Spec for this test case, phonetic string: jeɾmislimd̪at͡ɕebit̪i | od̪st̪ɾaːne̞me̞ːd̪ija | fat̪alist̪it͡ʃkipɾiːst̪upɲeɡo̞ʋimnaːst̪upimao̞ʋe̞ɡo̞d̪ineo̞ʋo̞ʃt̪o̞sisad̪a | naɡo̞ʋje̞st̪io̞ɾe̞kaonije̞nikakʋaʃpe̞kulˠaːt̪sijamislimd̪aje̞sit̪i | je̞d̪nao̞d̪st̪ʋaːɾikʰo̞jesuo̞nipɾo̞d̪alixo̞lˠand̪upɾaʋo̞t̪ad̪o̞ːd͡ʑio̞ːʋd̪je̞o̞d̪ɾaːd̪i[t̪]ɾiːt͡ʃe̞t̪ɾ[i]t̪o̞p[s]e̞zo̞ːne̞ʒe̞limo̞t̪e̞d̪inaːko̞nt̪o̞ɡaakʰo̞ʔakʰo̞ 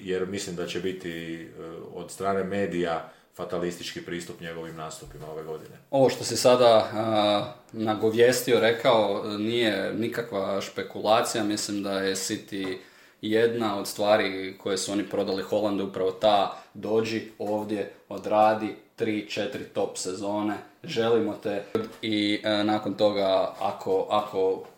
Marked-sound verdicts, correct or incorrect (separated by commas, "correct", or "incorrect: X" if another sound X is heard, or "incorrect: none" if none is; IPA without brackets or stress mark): correct, correct, correct